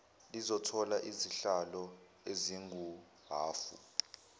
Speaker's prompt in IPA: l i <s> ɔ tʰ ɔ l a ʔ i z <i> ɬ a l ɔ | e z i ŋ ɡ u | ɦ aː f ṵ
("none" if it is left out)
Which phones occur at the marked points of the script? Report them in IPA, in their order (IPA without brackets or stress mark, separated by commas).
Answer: z, i